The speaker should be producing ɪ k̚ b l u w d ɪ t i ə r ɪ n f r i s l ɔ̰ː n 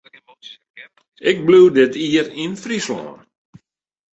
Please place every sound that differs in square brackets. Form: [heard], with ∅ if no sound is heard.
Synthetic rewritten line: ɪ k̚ b l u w d ɪ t i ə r [i] n f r i s l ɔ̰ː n